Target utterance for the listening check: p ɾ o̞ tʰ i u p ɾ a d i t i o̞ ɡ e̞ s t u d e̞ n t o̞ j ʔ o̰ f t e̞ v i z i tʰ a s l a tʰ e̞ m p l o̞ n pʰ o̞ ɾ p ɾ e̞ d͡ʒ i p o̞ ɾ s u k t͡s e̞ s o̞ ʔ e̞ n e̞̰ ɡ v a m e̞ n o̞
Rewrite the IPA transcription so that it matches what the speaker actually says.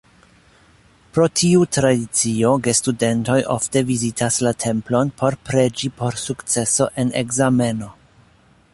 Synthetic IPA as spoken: p ɾ o̞ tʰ i u t ɾ a d i t͡s i o̞ ɡ e̞ s t u d e̞ n t o̞ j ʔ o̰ f t e̞ v i z i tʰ a s l a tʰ e̞ m p l o̞ n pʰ o̞ ɾ p ɾ e̞ d͡ʒ i p o̞ ɾ s u k t͡s e̞ s o̞ ʔ e̞ n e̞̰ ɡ z a m e̞ n o̞